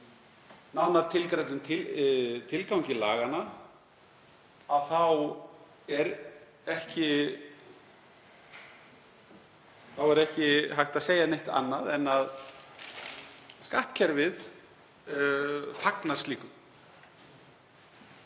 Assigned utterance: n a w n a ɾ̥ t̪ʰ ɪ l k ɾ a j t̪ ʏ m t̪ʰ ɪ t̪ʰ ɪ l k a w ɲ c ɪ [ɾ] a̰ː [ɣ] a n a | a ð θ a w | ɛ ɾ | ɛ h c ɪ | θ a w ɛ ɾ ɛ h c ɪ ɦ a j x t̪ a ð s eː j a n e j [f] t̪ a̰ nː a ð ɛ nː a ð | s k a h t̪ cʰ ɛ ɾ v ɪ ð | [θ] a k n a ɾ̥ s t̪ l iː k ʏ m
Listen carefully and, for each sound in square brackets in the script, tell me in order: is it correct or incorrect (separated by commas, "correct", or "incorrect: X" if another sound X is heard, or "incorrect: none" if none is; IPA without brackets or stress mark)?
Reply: incorrect: l, correct, incorrect: h, incorrect: f